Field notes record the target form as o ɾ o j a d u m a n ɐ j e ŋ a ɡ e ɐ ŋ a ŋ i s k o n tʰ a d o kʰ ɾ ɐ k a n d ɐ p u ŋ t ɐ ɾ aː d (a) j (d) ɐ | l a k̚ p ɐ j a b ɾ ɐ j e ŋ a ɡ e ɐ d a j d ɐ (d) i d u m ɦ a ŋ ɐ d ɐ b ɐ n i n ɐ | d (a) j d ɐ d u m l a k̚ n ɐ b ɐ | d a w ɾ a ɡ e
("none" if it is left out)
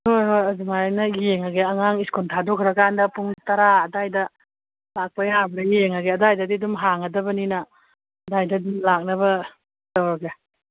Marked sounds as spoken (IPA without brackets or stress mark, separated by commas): a, d, d, a